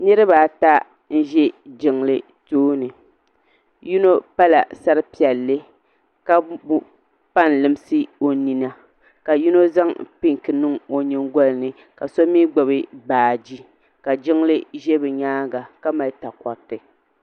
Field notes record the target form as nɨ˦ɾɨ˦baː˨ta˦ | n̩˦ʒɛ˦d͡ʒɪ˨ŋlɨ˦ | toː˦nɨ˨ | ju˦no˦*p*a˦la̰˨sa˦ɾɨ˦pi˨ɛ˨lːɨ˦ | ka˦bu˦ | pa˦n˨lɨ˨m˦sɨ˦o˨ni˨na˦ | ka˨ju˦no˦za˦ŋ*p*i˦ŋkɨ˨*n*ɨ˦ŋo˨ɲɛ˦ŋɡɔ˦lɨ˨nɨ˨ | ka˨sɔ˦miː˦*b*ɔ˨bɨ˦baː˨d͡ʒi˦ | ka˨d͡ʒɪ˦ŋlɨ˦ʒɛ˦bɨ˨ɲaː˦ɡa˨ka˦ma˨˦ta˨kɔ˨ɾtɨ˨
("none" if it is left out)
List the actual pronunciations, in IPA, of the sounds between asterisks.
p, p, n, ɡ͡b

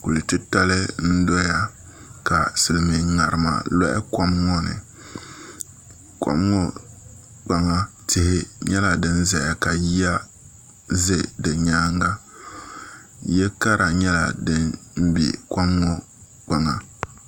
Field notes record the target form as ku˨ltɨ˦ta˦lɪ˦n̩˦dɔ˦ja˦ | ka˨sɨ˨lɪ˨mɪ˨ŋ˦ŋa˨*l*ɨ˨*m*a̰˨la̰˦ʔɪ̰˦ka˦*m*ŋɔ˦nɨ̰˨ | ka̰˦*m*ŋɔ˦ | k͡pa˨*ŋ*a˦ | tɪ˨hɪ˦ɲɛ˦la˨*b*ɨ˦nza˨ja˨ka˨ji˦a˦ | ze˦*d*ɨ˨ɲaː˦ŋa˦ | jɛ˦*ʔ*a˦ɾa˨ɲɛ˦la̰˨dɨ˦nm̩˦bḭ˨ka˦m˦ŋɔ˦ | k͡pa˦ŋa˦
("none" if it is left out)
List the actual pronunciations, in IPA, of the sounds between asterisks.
ɾ, m, m, m, ŋ, d, d, k

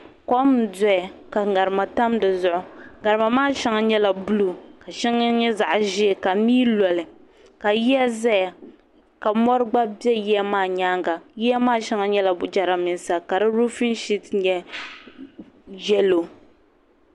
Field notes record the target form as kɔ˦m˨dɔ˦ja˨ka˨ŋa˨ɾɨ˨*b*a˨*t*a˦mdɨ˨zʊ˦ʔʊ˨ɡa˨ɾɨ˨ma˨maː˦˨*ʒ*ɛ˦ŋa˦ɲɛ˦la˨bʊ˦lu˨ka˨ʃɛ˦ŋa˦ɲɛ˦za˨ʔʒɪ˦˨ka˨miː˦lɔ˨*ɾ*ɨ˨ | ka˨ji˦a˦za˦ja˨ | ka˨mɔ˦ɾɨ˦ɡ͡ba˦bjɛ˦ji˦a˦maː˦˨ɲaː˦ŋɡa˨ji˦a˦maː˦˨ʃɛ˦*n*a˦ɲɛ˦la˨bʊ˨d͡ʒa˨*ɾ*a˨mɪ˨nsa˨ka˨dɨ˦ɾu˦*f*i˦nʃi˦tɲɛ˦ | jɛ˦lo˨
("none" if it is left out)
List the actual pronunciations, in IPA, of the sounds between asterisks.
m, t, ʃ, l, ŋ, ɾ, f

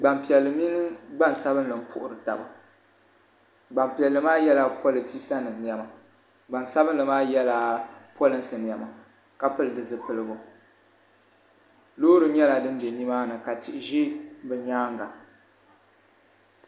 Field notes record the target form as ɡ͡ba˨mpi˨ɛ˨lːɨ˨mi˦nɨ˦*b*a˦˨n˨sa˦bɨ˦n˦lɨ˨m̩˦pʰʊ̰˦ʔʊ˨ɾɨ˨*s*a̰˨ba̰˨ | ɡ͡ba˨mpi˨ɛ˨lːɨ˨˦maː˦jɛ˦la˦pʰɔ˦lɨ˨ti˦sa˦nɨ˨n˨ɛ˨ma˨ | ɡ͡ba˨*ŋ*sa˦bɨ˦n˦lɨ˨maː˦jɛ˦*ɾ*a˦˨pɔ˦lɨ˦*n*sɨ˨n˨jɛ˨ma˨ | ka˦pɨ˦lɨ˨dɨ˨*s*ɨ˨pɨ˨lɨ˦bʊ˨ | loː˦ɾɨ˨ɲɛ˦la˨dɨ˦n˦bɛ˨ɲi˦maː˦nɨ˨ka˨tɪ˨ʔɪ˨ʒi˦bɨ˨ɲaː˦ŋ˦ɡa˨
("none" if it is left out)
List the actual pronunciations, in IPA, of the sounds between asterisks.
ɡ͡b, t, n, l, n, z

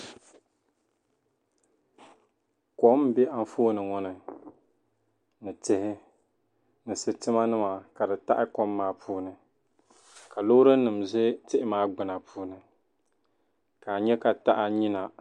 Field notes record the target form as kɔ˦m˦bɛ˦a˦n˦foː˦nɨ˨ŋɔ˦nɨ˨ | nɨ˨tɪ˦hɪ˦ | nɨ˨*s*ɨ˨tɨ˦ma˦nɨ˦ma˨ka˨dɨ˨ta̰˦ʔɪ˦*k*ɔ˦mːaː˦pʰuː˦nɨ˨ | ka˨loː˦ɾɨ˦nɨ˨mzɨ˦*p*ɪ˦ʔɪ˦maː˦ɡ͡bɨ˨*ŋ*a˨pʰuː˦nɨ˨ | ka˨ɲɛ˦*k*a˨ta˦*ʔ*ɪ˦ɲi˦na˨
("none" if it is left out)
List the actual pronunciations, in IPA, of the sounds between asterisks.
s, k, t, n, k, ʔ

